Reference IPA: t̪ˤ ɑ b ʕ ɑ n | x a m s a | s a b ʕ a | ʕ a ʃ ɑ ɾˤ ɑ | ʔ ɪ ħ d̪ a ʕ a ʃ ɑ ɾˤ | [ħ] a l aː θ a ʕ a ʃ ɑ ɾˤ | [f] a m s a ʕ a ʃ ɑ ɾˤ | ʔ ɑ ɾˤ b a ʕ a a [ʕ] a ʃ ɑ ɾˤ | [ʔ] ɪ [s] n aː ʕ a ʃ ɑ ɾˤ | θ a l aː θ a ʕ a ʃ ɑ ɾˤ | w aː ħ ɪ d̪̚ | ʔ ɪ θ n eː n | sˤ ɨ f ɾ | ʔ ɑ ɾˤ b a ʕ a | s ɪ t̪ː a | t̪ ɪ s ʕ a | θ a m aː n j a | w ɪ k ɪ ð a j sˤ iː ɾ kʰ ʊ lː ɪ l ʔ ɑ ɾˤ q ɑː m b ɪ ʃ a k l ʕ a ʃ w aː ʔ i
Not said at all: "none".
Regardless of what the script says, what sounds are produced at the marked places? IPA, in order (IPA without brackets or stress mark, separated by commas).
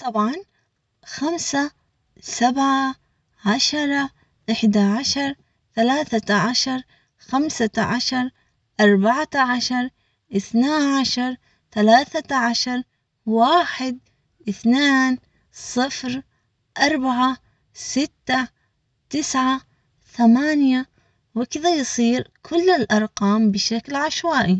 θ, x, ʕ, ʔ, θ